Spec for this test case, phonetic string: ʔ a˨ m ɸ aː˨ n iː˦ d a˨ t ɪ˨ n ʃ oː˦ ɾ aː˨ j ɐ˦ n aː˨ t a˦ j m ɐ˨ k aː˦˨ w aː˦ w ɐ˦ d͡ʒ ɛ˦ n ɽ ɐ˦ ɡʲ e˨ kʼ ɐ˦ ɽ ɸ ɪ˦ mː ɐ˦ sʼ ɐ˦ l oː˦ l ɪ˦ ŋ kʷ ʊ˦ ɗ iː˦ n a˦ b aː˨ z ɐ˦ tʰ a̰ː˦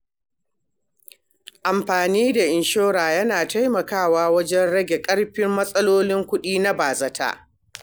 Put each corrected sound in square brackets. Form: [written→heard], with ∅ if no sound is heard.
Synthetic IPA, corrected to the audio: ʔ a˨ m ɸ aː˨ n iː˦ d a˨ [t→ʔ] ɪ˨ n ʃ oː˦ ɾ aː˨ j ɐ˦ n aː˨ t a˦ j m ɐ˨ k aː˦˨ w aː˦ w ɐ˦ d͡ʒ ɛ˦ n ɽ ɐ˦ ɡʲ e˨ kʼ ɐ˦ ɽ ɸ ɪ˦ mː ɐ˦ sʼ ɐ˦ l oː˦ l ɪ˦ ŋ kʷ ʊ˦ ɗ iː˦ n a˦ b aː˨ z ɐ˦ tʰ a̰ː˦